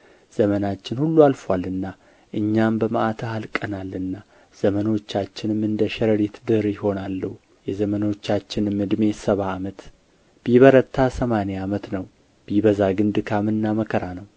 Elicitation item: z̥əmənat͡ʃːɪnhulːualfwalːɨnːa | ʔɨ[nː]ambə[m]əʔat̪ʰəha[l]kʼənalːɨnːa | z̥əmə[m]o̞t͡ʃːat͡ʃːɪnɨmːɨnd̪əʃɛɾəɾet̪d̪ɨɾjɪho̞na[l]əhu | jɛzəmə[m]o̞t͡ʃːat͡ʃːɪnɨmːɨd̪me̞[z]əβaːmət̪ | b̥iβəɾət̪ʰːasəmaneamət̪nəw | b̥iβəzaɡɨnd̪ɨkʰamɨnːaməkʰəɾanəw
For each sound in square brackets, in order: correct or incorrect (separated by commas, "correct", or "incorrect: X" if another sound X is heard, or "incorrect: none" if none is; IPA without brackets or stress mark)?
incorrect: ɲː, correct, correct, incorrect: n, incorrect: lː, incorrect: n, incorrect: s